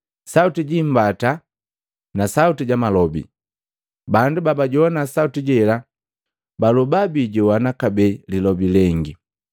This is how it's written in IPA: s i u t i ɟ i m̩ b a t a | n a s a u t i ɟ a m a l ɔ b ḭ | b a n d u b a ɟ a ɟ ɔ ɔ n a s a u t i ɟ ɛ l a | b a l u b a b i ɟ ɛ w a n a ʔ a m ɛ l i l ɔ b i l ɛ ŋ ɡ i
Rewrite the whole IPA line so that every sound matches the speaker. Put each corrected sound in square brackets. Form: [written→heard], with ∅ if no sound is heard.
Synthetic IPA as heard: s [i→a] u t i ɟ i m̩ b a t a | n a s a u t i ɟ a m a l ɔ b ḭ | b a n d u b a [ɟ→b] a ɟ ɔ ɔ n a s a u t i ɟ ɛ l a | b a l u b a b i ɟ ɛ w a n a [ʔ→k] a [m→b] ɛ l i l ɔ b i l ɛ ŋ ɡ i